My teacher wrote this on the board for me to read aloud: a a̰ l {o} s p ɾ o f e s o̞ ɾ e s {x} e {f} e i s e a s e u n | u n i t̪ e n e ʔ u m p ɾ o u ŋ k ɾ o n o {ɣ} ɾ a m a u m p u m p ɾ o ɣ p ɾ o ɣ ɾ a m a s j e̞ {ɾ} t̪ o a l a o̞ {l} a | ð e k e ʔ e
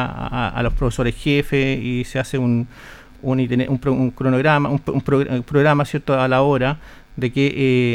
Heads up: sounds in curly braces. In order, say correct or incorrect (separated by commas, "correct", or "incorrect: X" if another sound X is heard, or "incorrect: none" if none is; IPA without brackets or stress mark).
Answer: correct, correct, correct, correct, correct, incorrect: ɾ